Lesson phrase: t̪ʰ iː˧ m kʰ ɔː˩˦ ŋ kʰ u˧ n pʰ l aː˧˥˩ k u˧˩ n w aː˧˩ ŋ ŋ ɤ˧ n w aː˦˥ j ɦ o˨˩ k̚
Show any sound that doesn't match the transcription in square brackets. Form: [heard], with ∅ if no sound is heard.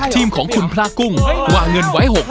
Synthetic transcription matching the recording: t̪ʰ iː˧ m kʰ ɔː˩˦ ŋ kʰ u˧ n pʰ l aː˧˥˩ k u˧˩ [ŋ] w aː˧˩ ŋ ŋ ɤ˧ n w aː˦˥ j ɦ o˨˩ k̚

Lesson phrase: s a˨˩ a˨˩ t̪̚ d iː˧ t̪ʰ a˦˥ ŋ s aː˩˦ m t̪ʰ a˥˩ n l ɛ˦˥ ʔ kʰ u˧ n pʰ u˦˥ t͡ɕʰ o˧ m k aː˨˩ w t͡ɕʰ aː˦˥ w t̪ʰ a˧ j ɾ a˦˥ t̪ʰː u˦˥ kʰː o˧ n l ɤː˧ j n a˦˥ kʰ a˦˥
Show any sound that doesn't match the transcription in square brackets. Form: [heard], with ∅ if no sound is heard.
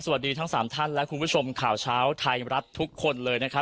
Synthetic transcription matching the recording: s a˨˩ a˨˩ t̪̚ d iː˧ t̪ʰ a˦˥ ŋ s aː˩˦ m t̪ʰ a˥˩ n l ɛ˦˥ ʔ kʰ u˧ n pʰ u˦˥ t͡ɕʰ o˧ m [kʰ] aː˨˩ w t͡ɕʰ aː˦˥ w t̪ʰ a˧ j ɾ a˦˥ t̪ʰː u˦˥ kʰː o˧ n l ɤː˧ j n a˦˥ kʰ a˦˥

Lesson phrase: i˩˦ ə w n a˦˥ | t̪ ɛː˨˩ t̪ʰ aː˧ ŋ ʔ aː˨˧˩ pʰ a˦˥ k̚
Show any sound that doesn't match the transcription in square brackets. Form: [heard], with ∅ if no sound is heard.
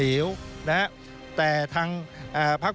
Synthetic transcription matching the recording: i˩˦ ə w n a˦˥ | t̪ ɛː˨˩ t̪ʰ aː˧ ŋ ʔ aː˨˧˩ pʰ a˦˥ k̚

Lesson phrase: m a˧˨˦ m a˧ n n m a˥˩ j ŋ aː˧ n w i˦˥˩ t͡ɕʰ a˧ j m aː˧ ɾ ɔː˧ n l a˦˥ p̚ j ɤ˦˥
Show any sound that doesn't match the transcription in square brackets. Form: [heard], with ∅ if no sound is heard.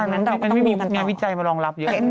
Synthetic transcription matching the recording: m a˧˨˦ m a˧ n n m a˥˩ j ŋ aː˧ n w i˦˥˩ [t͡ɕ] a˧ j m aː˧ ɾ ɔː˧ [ŋ] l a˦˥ p̚ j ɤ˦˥

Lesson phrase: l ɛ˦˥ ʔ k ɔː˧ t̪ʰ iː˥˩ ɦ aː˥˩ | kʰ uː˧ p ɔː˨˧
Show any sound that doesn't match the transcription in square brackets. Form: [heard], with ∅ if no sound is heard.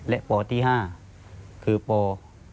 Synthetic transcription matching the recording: l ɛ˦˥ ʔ [p] ɔː˧ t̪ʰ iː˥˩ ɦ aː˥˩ | kʰ [ɯː˧] p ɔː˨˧

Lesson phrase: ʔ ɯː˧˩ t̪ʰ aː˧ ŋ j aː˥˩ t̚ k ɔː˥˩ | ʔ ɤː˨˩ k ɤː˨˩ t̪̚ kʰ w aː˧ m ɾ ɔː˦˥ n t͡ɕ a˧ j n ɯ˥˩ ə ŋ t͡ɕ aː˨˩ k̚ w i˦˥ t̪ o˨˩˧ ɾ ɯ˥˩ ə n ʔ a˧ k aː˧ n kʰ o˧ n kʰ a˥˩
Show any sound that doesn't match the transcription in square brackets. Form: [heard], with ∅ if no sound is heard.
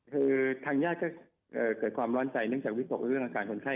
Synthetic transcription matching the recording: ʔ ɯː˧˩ t̪ʰ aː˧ ŋ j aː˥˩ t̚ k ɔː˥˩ | ʔ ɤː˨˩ k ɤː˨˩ t̪̚ kʰ w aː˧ m ɾ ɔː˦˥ n t͡ɕ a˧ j n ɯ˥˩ ə ŋ t͡ɕ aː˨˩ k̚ w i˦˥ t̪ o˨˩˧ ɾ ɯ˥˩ ə [ŋ] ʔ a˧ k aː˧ n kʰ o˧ n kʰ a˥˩

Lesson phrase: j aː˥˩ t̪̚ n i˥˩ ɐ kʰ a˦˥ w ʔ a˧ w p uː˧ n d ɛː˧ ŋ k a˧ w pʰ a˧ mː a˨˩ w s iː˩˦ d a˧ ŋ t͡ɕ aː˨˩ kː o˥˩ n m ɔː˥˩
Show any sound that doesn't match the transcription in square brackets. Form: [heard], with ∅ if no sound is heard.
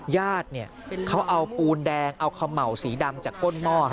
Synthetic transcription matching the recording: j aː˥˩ t̪̚ n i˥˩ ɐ kʰ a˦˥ w ʔ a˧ w p uː˧ n d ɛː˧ ŋ [ʔ] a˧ w [kʰ] a˧ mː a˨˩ w s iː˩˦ d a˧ [m] t͡ɕ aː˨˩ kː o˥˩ n m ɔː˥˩

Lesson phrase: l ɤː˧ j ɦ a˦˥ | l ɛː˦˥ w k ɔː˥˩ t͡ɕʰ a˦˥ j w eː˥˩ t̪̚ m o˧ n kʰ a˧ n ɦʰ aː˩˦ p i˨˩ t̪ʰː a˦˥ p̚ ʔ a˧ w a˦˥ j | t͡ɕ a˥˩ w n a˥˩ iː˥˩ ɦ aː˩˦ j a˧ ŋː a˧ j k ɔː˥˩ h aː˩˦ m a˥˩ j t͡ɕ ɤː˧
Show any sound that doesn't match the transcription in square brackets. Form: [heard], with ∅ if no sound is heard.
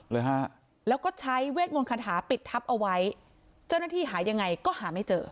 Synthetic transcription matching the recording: l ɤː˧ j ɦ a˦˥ | l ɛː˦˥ w k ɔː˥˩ t͡ɕʰ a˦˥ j w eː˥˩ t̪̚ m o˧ n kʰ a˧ n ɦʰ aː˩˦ p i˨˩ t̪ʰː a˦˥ p̚ ʔ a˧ w a˦˥ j | t͡ɕ a˥˩ w n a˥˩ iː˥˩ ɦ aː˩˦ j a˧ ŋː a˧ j k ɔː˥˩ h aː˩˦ m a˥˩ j t͡ɕ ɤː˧

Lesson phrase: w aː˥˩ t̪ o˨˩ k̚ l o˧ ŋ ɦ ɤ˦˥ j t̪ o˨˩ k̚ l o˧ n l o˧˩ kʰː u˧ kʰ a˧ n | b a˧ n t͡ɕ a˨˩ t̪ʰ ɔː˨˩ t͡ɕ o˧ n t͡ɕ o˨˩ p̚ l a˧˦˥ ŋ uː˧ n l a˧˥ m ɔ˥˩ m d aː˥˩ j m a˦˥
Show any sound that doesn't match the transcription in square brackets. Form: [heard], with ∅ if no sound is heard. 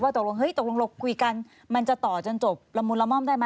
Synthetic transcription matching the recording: w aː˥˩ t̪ o˨˩ k̚ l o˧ ŋ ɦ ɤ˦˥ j t̪ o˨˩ k̚ l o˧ [ŋ] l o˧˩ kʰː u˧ [k] a˧ n | [m] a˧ n t͡ɕ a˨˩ [t̪] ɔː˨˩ t͡ɕ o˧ n t͡ɕ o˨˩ p̚ l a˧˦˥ [m] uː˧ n l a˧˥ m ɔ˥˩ m d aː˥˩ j m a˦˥

